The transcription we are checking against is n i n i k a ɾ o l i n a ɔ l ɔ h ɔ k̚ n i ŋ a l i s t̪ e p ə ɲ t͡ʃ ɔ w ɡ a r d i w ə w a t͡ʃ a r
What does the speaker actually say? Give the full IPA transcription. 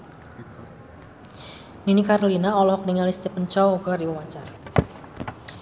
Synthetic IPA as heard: n i n i k a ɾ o l i n a ɔ l ɔ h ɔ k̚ n i ŋ a l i s t̪ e p ə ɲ t͡ʃ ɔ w ɡ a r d i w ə w a t͡ʃ a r

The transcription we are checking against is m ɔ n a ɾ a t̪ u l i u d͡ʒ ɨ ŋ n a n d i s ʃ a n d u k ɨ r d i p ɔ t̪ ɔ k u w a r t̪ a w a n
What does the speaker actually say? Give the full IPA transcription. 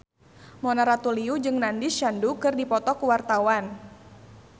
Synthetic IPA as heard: m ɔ n a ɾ a t̪ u l i u d͡ʒ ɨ ŋ n a n d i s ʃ a n d u k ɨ r d i p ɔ t̪ ɔ k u w a r t̪ a w a n

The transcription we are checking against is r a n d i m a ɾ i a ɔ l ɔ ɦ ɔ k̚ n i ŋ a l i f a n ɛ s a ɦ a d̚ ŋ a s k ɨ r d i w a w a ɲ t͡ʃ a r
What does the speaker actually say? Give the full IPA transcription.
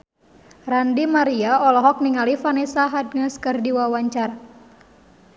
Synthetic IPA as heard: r a n d i m a ɾ i a ɔ l ɔ ɦ ɔ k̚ n i ŋ a l i f a n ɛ s a ɦ a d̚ ŋ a s k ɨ r d i w a w a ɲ t͡ʃ a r

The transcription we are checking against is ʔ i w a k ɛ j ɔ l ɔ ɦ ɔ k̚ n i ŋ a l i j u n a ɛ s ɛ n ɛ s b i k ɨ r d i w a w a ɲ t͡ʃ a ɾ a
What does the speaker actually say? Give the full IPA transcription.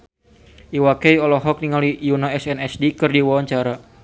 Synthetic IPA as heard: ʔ i w a k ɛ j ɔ l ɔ ɦ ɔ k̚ n i ŋ a l i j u n a ɛ s ɛ n ɛ s d i k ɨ r d i w a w a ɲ t͡ʃ a ɾ a

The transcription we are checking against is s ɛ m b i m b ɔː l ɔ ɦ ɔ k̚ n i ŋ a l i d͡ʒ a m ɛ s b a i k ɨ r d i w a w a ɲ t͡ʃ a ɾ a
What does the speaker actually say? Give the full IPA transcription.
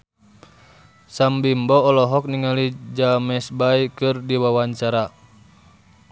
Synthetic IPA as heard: s a m b i m b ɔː l ɔ ɦ ɔ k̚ n i ŋ a l i d͡ʒ a m ɛ s b a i k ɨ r d i w a w a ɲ t͡ʃ a ɾ a

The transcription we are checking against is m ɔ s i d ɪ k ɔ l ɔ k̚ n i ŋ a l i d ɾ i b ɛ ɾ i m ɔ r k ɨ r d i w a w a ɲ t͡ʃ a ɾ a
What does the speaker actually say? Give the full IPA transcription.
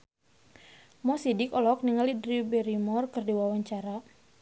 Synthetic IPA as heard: m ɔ s i d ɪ k ɔ l ɔ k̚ n i ŋ a l i d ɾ i b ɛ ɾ i m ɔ r k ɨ r d i w a w a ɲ t͡ʃ a ɾ a

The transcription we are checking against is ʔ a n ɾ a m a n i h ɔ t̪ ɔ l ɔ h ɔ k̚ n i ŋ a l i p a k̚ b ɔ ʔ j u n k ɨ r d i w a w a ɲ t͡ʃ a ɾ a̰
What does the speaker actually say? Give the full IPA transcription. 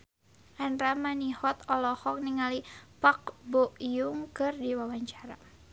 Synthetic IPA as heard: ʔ a n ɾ a m a n i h ɔ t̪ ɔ l ɔ h ɔ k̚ n i ŋ a l i p a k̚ b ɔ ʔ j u ŋ k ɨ r d i w a w a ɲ t͡ʃ a ɾ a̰

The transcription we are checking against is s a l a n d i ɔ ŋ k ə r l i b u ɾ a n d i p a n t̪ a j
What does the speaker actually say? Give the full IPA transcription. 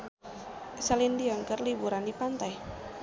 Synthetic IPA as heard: s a l i n d i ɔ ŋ k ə r l i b u ɾ a n d i p a n t̪ a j

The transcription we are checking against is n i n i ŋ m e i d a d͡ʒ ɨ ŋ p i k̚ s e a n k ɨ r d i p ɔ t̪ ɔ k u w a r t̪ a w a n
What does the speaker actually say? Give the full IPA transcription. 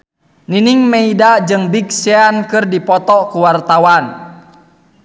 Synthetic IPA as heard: n i n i ŋ m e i d a d͡ʒ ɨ ŋ b i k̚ s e a n k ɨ r d i p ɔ t̪ ɔ k u w a r t̪ a w a n

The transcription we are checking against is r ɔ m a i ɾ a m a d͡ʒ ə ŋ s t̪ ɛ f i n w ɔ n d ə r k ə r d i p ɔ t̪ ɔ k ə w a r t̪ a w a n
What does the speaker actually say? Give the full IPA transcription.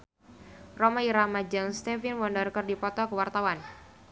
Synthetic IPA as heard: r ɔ m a i ɾ a m a d͡ʒ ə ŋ s t̪ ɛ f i n w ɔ n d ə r k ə r d i p ɔ t̪ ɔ k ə w a r t̪ a w a n

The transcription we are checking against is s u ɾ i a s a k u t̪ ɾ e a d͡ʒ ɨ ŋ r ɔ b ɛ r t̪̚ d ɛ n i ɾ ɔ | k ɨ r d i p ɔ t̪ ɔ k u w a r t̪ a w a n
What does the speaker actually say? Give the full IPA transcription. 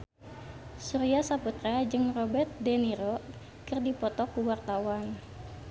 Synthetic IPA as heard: s u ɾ i a s a p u t̪ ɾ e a d͡ʒ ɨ ŋ r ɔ b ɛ r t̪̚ d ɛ n i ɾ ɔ | k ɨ r d i p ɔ t̪ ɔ k u w a r t̪ a w a n

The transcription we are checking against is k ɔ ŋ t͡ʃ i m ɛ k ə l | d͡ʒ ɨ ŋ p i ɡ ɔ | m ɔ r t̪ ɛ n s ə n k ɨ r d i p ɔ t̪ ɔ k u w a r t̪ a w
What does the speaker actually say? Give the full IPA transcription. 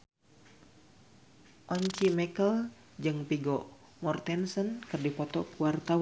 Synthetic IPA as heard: ʔ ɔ ɲ t͡ʃ i m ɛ k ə l | d͡ʒ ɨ ŋ p i ɡ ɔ | m ɔ r t̪ ɛ n s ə n k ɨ r d i p ɔ t̪ ɔ k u w a r t̪ a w

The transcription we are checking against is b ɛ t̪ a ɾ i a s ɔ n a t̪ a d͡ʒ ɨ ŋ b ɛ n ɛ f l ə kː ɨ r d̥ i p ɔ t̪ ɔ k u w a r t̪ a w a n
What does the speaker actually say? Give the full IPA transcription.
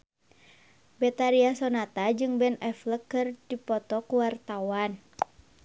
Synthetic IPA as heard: b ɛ t̪ a ɾ i a s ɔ n a t̪ a d͡ʒ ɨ ŋ b ɛ n ɛ f l ə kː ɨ r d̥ i p ɔ t̪ ɔ k u w a r t̪ a w a n

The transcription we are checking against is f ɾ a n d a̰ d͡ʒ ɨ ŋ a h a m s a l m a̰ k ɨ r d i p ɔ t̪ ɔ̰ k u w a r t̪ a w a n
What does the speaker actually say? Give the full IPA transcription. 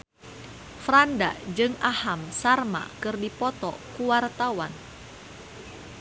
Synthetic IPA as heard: f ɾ a n d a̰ d͡ʒ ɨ ŋ a h a m s a r m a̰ k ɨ r d i p ɔ t̪ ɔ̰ k u w a r t̪ a w a n

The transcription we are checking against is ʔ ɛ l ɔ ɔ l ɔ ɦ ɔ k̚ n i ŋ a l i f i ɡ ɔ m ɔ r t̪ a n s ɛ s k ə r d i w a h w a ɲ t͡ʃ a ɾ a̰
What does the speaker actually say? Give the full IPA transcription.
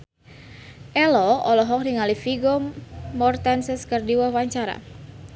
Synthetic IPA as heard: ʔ ɛ l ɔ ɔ l ɔ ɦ ɔ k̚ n i ŋ a l i f i ɡ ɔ m ɔ r t̪ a n s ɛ s k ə r d i w a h w a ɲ t͡ʃ a ɾ a̰

